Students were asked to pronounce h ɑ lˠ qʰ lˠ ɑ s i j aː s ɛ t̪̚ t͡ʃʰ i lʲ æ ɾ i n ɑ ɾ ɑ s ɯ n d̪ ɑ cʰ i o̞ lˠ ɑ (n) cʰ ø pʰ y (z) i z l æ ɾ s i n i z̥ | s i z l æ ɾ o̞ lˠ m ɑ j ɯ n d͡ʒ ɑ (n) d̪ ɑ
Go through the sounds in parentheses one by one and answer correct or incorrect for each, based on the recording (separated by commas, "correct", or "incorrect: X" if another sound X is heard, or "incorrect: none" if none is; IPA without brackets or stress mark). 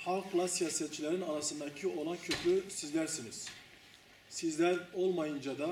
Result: correct, incorrect: s, incorrect: none